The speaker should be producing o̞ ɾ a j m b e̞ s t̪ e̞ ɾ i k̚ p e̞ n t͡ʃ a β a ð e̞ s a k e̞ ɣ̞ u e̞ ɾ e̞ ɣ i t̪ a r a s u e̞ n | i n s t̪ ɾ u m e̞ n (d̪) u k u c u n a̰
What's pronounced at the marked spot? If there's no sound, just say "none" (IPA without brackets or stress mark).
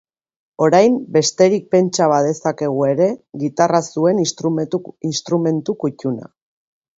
t̪